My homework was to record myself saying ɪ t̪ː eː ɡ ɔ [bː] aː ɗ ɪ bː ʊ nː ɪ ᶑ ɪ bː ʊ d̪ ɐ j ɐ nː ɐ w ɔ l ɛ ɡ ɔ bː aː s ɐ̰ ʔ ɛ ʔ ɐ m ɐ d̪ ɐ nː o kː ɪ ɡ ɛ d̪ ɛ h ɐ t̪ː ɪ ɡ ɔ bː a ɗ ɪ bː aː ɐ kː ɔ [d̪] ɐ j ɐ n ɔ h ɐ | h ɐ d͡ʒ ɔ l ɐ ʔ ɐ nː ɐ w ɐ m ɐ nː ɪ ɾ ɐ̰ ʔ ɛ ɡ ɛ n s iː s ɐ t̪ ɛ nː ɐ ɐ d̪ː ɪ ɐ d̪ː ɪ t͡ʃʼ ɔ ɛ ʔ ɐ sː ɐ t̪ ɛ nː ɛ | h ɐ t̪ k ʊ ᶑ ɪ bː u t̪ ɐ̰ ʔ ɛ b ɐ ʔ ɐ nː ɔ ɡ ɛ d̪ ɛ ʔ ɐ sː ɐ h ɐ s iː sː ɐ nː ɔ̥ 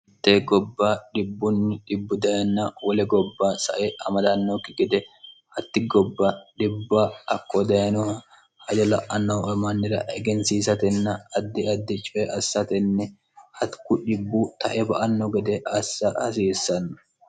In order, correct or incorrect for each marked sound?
correct, correct

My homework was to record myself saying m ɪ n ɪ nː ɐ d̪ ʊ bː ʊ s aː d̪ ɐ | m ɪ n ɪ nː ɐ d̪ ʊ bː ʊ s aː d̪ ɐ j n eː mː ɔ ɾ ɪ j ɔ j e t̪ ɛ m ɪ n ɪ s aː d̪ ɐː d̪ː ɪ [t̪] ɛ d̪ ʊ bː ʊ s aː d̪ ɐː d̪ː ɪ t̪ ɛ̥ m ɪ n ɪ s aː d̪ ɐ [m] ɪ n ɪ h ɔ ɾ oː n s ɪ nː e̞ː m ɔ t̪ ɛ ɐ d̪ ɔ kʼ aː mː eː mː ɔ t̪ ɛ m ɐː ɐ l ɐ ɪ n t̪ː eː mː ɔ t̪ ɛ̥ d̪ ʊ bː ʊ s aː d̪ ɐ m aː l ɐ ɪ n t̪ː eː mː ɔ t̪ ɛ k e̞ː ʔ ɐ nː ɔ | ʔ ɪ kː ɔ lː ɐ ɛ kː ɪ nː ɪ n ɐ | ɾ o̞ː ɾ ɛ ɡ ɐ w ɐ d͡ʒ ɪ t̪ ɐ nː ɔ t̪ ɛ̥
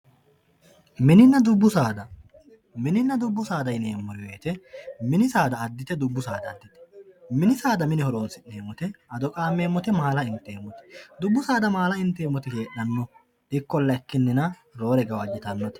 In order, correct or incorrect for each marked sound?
correct, correct

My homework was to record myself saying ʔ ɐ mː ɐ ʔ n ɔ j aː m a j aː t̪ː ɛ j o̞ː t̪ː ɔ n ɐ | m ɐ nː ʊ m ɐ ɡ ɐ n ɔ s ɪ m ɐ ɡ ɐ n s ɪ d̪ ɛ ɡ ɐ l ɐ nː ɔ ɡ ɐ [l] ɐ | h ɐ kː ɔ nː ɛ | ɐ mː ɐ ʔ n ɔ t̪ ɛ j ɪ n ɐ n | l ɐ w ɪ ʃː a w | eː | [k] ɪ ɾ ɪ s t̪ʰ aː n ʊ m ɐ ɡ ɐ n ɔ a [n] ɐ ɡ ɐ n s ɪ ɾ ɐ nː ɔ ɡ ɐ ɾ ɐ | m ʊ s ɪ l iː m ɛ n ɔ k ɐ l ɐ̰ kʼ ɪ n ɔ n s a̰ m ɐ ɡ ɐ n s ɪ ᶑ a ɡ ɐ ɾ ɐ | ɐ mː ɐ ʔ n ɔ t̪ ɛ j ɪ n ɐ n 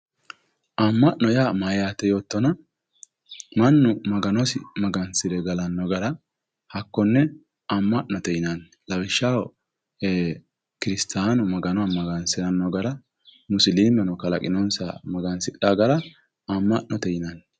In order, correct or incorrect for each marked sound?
incorrect: ɾ, correct, incorrect: m

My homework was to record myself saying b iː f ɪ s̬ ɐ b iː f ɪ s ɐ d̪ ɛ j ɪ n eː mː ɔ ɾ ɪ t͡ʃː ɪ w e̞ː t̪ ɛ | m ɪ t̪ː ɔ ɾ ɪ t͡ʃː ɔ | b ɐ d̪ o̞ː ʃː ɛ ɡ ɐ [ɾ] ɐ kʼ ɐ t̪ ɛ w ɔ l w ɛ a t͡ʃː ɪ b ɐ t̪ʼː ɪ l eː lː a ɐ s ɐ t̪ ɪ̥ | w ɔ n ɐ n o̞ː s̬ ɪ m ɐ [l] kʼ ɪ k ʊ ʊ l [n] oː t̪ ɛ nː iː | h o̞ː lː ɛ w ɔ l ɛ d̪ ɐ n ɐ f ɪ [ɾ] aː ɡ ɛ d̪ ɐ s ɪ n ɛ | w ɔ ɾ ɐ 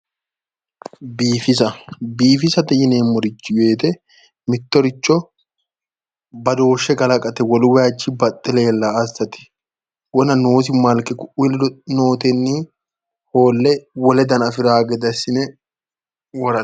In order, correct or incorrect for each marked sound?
incorrect: l, correct, correct, correct

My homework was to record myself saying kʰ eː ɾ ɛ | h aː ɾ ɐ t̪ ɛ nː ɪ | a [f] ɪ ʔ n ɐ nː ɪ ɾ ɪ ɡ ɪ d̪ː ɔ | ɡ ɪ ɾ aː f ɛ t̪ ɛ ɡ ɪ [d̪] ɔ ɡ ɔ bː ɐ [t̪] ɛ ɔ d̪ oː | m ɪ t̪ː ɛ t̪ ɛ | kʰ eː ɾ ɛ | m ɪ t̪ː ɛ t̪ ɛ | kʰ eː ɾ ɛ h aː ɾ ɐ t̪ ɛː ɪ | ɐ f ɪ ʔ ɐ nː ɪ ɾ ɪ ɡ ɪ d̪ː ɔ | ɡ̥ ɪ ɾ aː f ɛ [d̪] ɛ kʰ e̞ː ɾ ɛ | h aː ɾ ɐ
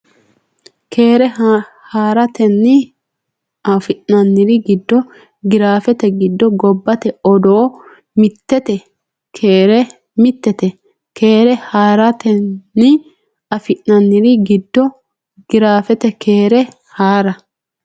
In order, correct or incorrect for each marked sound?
correct, incorrect: d̪ː, correct, incorrect: t̪

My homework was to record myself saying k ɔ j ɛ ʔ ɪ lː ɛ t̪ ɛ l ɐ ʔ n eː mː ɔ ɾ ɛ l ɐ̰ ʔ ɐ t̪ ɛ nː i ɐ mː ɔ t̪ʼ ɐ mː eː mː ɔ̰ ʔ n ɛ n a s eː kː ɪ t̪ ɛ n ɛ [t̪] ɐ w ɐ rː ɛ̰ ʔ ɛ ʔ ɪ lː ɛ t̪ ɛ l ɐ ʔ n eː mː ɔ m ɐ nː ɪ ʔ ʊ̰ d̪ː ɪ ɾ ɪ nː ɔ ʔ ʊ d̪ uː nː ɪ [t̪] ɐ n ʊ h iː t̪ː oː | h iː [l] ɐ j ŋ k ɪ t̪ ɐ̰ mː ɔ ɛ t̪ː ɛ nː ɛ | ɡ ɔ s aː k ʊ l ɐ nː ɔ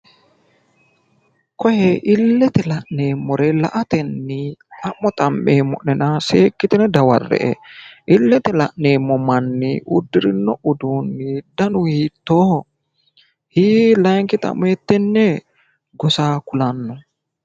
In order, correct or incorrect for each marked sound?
incorrect: d̪, incorrect: d̪, correct

